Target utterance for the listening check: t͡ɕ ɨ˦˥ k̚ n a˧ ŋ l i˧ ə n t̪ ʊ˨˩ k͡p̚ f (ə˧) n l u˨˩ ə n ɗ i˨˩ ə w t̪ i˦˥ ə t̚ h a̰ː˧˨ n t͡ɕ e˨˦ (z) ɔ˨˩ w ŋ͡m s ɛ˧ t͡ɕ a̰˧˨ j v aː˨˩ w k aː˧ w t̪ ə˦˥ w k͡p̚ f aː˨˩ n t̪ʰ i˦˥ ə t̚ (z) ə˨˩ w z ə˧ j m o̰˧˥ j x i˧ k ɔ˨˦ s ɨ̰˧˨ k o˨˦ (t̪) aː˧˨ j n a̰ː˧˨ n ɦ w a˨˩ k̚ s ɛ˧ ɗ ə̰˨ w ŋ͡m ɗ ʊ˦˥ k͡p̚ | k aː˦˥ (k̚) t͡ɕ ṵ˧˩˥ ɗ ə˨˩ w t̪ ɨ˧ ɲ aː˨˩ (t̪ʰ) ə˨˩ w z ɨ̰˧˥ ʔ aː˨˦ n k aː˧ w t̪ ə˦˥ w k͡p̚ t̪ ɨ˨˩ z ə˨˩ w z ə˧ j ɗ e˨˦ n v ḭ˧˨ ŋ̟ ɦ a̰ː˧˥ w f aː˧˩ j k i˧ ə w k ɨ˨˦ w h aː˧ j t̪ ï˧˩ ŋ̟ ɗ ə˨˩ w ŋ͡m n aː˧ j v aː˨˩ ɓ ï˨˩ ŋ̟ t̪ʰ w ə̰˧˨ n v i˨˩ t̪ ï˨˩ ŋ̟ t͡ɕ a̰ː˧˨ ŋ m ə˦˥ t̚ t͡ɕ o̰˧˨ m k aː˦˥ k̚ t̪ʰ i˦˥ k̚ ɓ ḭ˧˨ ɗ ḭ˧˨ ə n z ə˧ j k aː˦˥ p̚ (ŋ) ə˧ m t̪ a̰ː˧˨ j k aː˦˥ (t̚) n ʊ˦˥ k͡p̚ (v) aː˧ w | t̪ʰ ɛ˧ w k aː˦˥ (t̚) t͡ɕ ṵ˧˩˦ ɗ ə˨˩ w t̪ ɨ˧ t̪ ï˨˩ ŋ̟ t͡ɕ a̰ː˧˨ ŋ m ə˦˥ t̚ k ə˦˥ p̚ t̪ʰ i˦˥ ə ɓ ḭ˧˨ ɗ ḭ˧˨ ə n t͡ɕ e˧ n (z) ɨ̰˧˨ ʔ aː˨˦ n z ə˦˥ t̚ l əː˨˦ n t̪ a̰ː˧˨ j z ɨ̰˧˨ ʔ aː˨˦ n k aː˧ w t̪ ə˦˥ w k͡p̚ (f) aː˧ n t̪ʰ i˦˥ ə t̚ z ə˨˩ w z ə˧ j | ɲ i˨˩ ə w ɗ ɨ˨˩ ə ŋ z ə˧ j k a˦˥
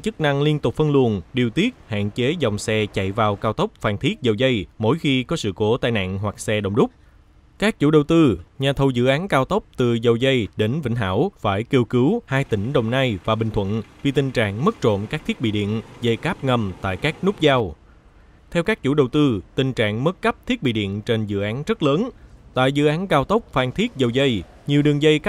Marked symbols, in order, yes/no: yes, yes, yes, yes, yes, yes, yes, no, no, no, yes, yes

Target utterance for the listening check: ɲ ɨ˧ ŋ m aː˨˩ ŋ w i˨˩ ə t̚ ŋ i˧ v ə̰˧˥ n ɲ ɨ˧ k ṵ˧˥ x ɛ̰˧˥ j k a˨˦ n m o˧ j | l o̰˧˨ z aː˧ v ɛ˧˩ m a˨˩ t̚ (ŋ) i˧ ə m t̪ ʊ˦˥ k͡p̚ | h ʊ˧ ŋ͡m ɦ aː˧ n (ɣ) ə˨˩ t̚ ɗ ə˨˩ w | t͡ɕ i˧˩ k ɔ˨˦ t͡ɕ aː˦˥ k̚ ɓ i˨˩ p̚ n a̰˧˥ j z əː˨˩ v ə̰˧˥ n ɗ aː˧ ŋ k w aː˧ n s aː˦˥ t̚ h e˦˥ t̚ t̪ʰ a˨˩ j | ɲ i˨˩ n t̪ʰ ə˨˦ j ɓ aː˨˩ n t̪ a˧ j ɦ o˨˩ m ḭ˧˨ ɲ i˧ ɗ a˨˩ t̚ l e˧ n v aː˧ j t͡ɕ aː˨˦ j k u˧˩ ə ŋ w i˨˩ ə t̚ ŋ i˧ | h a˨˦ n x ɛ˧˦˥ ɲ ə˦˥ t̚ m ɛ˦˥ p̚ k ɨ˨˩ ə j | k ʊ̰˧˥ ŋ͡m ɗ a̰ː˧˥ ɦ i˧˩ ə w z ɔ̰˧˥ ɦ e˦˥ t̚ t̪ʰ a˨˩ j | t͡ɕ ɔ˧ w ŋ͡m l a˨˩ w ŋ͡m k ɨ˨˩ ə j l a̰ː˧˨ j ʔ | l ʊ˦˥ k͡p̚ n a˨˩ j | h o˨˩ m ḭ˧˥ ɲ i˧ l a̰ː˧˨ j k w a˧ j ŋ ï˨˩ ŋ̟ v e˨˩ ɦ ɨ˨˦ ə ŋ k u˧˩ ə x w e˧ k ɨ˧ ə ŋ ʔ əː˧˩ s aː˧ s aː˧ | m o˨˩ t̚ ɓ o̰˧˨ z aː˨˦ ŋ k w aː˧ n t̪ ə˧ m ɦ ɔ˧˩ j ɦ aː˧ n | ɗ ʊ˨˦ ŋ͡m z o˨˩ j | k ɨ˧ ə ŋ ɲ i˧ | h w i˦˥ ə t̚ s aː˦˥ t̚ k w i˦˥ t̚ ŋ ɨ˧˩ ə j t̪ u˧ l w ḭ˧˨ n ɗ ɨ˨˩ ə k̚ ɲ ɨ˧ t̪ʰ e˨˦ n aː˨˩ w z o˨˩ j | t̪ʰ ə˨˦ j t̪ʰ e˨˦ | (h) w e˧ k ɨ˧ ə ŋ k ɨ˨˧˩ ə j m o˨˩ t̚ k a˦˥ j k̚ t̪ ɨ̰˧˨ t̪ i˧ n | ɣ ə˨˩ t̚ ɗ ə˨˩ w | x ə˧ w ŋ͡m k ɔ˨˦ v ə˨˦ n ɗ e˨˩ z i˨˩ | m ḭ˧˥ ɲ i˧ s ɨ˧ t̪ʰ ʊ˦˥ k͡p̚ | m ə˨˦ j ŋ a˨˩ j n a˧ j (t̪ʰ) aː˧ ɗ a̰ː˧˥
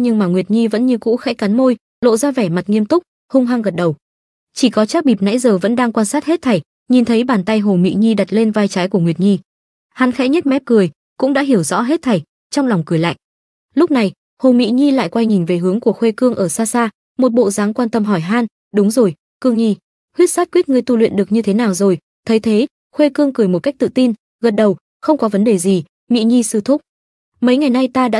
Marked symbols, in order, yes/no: yes, yes, no, no

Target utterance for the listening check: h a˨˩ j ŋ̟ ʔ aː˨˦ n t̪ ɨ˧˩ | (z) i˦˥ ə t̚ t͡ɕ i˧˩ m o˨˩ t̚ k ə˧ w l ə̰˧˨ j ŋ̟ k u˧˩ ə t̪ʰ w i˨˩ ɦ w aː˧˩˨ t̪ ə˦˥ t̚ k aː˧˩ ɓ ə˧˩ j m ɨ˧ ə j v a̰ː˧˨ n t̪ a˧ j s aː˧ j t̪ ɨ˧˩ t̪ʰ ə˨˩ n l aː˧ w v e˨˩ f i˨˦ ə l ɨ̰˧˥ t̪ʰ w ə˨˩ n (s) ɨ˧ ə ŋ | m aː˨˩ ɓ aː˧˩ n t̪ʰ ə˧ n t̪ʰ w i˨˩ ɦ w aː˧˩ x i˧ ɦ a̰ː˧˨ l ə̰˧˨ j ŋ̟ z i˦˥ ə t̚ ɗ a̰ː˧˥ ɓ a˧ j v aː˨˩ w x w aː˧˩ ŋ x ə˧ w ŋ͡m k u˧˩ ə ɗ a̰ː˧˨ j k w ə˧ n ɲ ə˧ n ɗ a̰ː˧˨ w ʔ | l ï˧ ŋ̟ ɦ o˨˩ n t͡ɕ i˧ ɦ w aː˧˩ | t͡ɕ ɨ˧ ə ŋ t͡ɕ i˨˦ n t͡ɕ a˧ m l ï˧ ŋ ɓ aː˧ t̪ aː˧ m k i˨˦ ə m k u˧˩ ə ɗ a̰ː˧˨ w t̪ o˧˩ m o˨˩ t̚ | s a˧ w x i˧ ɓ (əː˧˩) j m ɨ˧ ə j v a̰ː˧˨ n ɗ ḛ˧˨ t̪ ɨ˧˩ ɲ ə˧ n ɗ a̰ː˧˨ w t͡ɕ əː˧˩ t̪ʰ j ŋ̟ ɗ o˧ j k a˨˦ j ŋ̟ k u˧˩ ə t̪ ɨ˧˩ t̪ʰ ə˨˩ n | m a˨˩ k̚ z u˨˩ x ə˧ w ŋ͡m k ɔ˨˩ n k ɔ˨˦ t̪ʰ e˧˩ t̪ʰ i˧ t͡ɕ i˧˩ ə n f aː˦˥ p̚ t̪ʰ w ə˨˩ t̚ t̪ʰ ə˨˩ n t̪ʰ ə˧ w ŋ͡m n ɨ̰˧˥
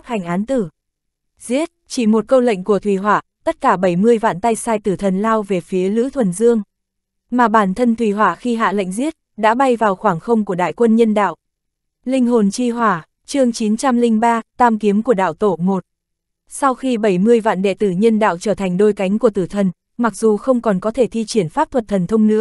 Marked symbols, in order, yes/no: yes, no, no

